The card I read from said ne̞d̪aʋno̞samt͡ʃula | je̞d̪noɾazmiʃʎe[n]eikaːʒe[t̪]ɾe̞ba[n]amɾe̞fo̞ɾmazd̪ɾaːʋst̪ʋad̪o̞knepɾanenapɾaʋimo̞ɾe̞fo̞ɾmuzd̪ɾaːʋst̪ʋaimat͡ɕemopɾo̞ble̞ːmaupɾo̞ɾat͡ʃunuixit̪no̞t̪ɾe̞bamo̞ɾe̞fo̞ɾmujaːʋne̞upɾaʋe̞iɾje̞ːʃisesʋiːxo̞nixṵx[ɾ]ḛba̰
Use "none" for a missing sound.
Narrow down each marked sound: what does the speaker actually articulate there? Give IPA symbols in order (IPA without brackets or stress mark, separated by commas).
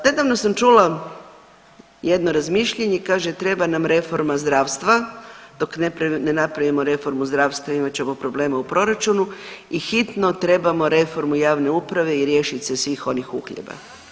ɲ, t̪, n, ʎ